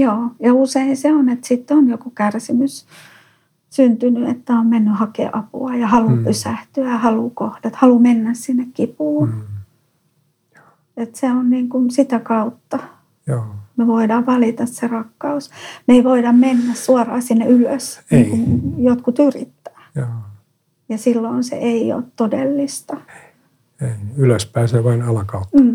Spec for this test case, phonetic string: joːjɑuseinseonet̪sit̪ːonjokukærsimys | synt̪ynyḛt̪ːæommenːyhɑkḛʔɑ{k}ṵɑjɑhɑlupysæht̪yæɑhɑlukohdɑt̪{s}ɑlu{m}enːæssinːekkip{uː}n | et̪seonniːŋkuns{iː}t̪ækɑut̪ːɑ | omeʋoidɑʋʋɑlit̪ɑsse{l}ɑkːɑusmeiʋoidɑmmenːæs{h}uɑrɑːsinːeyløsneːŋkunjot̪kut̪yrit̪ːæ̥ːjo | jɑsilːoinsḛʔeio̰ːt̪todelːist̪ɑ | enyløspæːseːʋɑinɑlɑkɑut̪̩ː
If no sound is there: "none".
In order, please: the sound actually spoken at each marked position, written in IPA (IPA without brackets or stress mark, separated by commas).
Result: p, h, m, uː, i, r, s